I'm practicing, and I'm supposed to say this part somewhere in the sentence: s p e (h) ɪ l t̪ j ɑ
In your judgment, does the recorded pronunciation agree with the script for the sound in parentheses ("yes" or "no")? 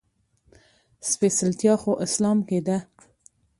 no